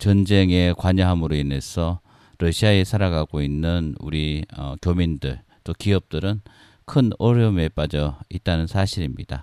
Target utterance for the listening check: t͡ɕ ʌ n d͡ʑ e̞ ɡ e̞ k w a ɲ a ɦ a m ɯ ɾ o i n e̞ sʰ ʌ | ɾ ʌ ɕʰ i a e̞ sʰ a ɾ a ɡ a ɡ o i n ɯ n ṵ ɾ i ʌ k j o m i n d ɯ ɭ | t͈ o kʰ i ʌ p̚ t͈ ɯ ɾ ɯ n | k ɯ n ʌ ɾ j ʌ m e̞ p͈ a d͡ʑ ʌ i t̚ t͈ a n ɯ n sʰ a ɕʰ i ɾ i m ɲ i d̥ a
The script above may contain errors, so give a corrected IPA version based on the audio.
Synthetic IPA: t͡ɕ ʌ n d͡ʑ e̞ ŋ e̞ k w a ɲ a ɦ a m ɯ ɾ o i n e̞ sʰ ʌ | ɾ ʌ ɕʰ i a e̞ sʰ a ɾ a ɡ a ɡ o i nː ɯ n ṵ ɾ i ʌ k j o m i n d ɯ ɭ | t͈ o k i ʌ p̚ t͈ ɯ ɾ ɯ n | kʰ ɯ n ʌ ɾ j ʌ m e̞ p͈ a d͡ʑ ʌ i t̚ t͈ a n ɯ n sʰ a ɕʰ i ɾ i m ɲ i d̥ a